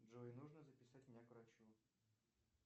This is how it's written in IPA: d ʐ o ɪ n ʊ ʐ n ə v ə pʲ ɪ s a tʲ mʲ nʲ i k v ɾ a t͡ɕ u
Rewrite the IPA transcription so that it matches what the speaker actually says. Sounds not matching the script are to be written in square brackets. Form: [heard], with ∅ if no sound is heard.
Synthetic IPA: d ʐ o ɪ n [u] ʐ n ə [z] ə pʲ ɪ s a tʲ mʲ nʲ [a] k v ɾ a t͡ɕ u